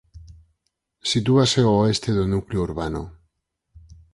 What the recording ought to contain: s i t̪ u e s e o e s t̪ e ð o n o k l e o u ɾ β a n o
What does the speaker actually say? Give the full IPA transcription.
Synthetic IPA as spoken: s i t̪ u a s e o e s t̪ e ð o n u k l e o u ɾ β a n o